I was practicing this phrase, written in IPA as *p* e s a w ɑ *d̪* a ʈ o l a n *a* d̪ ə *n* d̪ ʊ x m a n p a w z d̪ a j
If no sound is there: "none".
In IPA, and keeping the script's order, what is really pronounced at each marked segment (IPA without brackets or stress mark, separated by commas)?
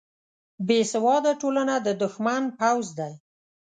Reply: b, d̪, a, none